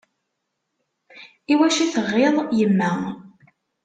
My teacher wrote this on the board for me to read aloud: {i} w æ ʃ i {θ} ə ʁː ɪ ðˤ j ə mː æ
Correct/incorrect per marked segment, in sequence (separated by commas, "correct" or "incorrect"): correct, correct